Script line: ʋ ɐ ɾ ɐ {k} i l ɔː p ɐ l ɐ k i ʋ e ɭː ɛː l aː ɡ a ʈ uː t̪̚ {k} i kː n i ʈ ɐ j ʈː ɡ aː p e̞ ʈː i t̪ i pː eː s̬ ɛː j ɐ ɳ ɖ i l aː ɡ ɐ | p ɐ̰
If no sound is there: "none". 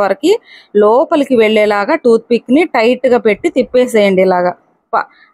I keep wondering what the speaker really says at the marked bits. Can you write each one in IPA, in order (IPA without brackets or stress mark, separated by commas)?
k, p